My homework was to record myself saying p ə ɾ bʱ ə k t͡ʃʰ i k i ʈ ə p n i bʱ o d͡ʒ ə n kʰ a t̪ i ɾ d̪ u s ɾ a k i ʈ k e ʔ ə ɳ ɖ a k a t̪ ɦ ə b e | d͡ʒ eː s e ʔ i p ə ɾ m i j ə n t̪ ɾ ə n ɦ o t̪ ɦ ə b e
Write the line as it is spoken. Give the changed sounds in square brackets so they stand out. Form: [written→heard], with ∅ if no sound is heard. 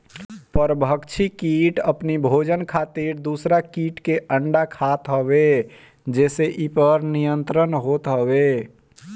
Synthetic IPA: p ə ɾ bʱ ə k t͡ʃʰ i k i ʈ ə p n i bʱ o d͡ʒ ə n kʰ a t̪ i ɾ d̪ u s ɾ a k i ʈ k e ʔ ə ɳ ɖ a [k→kʰ] a t̪ ɦ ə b e | d͡ʒ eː s e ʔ i p ə ɾ [m→n] i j ə n t̪ ɾ ə n ɦ o t̪ ɦ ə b e